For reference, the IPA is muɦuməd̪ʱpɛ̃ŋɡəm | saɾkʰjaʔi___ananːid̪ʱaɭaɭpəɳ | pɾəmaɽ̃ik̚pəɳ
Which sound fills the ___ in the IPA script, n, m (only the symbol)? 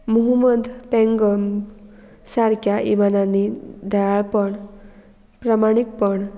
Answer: m